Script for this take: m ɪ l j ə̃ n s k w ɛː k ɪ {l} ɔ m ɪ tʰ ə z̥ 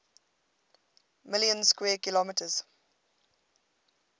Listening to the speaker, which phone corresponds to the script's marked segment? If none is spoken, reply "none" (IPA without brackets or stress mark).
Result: l